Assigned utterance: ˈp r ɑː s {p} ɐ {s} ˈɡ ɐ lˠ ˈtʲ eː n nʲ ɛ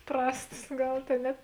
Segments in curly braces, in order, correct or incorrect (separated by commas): incorrect, correct